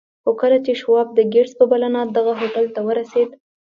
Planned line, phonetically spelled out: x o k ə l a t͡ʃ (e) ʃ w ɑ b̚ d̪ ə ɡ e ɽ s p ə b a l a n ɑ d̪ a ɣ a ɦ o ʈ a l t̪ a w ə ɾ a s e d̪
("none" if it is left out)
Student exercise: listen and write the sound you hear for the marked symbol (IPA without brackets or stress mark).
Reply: e